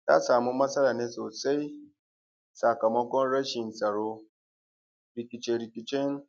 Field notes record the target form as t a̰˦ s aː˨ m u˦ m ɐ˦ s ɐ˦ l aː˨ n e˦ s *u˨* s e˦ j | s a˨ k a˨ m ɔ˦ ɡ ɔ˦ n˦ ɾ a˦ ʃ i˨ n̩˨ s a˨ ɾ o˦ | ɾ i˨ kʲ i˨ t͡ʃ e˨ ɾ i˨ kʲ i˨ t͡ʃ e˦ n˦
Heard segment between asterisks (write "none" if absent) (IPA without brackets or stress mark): o˨